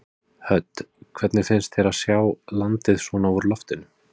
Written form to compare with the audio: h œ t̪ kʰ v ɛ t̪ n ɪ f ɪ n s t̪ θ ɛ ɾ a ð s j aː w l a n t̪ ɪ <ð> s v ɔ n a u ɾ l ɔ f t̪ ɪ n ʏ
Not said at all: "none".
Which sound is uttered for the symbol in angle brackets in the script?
ð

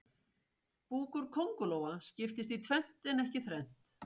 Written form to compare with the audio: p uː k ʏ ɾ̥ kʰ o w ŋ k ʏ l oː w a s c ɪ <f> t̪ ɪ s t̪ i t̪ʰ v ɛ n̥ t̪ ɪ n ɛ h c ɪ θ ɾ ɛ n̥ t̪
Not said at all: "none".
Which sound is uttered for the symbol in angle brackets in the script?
f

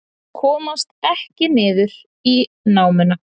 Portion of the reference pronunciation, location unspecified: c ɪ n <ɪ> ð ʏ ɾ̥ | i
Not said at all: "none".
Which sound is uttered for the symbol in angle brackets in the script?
ɪː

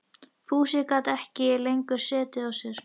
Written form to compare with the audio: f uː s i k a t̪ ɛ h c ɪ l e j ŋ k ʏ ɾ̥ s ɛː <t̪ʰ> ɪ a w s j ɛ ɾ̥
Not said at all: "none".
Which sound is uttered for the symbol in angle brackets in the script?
t̪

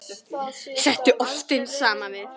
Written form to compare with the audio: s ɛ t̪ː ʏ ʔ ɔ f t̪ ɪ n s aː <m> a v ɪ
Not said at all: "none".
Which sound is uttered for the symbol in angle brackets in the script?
m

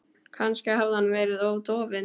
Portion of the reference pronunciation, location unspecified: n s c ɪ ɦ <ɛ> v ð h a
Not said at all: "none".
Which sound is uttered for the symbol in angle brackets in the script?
a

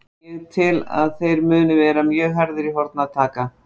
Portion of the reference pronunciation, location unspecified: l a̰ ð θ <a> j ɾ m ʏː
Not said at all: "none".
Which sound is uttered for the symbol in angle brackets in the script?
e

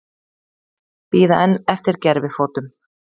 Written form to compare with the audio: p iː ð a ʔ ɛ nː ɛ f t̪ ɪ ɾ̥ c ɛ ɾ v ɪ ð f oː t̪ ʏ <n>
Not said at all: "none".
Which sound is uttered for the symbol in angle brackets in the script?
m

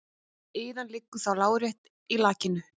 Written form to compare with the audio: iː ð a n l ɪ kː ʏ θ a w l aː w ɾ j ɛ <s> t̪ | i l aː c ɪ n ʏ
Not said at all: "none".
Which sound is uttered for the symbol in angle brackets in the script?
h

